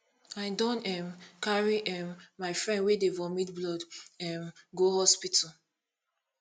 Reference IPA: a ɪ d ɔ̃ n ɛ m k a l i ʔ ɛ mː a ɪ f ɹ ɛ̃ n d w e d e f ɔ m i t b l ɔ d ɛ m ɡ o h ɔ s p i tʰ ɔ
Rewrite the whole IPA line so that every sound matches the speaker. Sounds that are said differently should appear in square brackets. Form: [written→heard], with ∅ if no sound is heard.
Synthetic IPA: a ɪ d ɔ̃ n ɛ m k a [l→ɹ] i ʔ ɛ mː a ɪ f ɹ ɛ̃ n d w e d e [f→v] ɔ m i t b l ɔ d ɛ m ɡ o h ɔ s p i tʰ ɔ